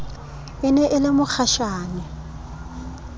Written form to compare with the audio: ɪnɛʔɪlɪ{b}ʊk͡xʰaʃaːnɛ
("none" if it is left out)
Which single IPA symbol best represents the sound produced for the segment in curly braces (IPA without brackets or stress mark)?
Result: m